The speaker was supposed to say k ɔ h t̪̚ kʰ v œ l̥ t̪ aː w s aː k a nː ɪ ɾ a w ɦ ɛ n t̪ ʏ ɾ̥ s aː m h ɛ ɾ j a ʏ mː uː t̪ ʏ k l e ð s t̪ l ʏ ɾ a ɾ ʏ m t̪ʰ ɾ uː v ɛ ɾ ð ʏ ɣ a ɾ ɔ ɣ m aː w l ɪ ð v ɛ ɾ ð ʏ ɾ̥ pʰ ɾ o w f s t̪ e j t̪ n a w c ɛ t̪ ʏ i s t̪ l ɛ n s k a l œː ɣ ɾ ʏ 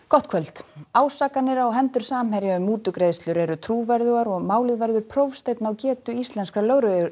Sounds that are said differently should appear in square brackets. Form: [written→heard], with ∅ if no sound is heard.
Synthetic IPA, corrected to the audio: k ɔ h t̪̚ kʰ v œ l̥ t̪ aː w s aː k a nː ɪ ɾ a w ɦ ɛ n t̪ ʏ ɾ̥ s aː m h ɛ ɾ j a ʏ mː uː t̪ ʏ k [l→ɾ] e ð s t̪ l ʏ ɾ [a→ɛ] ɾ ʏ [m→∅] t̪ʰ ɾ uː v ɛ ɾ ð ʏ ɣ a ɾ ɔ ɣ m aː w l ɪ ð v ɛ ɾ ð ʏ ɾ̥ pʰ ɾ o w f s t̪ e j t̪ n a w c [ɛ→ɛː] t̪ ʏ i s t̪ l ɛ n s k a l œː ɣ ɾ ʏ

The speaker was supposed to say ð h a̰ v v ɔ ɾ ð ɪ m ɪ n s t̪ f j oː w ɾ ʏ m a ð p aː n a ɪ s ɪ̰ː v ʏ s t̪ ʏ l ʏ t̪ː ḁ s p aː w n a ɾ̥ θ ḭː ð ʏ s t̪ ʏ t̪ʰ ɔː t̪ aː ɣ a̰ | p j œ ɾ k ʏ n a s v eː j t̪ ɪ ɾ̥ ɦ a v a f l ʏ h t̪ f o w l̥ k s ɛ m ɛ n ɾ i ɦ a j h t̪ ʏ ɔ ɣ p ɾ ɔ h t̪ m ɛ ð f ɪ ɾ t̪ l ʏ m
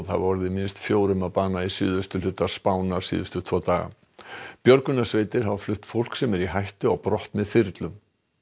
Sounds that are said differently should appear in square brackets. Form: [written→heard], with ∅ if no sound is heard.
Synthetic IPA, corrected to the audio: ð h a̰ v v ɔ ɾ ð ɪ m ɪ n s t̪ f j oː w ɾ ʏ m a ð p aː n a [ɪ→i] s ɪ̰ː [v→ð] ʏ s t̪ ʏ l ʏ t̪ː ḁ s p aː w n a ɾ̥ [θ→s] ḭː ð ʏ s t̪ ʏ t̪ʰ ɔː t̪ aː ɣ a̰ | p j œ ɾ k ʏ n a s v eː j t̪ ɪ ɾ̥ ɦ a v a f l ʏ h t̪ f o w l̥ k s ɛ m ɛ [n→∅] ɾ i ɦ a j h t̪ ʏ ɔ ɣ p ɾ ɔ h t̪ m ɛ ð f ɪ ɾ t̪ l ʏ m

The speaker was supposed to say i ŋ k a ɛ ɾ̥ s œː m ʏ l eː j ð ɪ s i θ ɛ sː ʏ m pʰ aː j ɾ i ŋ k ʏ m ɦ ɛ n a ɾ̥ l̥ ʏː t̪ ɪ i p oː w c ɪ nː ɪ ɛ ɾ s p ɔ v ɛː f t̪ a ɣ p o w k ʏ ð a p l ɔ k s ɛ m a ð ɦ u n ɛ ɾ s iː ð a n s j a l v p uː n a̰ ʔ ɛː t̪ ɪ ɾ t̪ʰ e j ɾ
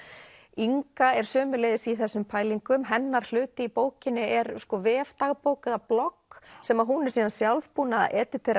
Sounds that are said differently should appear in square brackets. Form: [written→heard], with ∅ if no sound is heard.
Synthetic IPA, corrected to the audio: i ŋ k a ɛ ɾ̥ s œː m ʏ l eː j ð ɪ s i θ ɛ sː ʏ m pʰ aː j [ɾ→l] i ŋ k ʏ m ɦ ɛ [n→nː] a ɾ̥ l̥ ʏː t̪ ɪ i p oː w c ɪ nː ɪ ɛ ɾ s [p→k] ɔ v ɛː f t̪ a ɣ p o w k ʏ ð a p l ɔ k s ɛ m a ð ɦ u n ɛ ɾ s iː ð a n s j a l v p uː n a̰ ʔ ɛː t̪ ɪ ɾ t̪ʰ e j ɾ

